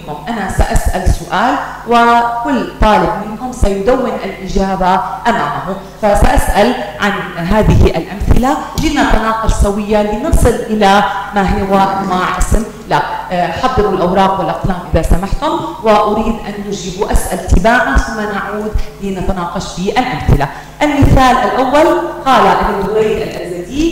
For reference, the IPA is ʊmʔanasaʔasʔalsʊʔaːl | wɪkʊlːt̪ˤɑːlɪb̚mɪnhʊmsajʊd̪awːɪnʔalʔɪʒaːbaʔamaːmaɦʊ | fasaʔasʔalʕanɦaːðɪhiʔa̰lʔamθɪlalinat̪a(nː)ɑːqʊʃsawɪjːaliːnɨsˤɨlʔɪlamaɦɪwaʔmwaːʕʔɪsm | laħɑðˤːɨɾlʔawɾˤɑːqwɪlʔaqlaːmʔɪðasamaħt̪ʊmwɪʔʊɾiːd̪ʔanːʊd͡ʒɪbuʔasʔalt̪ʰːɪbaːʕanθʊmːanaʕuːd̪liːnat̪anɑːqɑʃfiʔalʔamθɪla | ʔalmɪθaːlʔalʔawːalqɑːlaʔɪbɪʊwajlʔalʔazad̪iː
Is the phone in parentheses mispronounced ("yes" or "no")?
yes